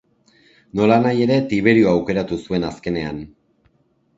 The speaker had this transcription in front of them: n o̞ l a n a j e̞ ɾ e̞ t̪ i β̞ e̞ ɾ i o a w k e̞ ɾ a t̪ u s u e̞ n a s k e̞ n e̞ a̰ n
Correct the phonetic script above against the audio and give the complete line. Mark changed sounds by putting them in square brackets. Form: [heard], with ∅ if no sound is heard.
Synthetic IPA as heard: n o̞ l a n a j e̞ ɾ e̞ t̪ i β̞ e̞ ɾ i o a w k e̞ ɾ a t̪ u s u e̞ n a s k e̞ n e̞ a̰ n